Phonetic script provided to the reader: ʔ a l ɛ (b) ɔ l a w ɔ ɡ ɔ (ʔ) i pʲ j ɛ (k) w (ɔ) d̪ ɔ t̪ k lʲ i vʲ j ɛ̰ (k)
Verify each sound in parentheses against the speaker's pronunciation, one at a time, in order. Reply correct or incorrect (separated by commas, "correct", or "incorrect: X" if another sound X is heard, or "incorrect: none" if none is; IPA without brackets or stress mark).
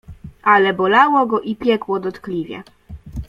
correct, correct, correct, correct, incorrect: none